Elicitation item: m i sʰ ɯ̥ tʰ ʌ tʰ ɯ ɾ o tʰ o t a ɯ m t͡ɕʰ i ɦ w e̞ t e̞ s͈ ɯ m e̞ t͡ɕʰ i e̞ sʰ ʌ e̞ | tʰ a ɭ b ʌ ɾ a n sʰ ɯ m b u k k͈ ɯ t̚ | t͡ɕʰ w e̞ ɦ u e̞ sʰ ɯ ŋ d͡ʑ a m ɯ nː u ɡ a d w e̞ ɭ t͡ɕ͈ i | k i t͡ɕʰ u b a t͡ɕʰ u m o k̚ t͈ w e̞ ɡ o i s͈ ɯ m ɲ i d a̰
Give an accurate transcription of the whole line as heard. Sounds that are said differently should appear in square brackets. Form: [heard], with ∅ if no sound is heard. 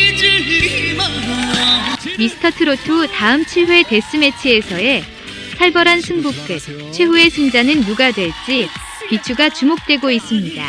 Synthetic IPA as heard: m i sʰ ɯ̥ tʰ ʌ tʰ ɯ ɾ o tʰ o t a ɯ m t͡ɕʰ i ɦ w e̞ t e̞ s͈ ɯ m e̞ t͡ɕʰ i e̞ sʰ ʌ e̞ | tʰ a ɭ b ʌ ɾ a n sʰ ɯ [ŋ] b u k k͈ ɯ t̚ | t͡ɕʰ w e̞ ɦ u e̞ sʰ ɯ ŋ d͡ʑ a [n] ɯ nː u ɡ a d w e̞ ɭ t͡ɕ͈ i | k i t͡ɕʰ u [ɡ] a [t͡ɕ] u m o k̚ t͈ w e̞ ɡ o i s͈ ɯ m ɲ i d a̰